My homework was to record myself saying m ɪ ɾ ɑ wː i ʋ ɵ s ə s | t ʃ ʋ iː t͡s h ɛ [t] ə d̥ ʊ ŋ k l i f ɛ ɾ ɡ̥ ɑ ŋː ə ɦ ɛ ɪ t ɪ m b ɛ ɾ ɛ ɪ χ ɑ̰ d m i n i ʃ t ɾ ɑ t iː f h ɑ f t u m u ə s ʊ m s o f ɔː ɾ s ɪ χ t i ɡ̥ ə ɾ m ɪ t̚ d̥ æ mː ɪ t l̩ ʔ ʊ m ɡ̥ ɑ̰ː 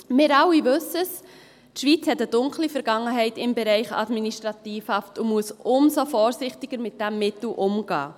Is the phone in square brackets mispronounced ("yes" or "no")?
no